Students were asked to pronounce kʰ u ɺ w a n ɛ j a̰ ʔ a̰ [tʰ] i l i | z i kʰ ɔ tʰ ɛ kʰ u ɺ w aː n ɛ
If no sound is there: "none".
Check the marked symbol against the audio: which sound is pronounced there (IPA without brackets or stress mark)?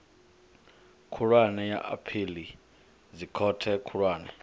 pʰ